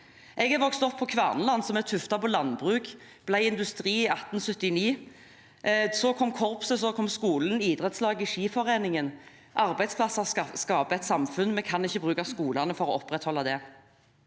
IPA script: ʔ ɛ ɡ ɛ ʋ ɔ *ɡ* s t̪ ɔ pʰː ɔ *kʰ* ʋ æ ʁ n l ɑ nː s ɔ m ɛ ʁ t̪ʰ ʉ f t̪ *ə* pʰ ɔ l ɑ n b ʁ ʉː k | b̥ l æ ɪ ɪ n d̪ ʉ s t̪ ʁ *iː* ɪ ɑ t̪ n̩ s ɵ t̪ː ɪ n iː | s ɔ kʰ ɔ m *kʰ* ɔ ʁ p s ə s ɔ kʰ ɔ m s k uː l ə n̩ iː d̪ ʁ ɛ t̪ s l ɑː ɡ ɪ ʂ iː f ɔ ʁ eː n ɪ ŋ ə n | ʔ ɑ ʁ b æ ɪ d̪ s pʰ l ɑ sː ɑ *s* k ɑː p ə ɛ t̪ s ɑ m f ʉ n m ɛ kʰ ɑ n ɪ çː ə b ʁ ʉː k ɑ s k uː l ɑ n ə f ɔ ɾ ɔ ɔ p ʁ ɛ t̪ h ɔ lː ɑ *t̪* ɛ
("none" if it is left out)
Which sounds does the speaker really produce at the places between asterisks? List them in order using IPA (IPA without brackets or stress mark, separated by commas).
k, kʰ, ɑ, iː, kʰ, s, d̪